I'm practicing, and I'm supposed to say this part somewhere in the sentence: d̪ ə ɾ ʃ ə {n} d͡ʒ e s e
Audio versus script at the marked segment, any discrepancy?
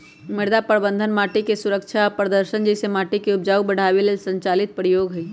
no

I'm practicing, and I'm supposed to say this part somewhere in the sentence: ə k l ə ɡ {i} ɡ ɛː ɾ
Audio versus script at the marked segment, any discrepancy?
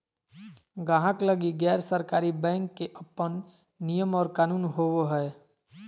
no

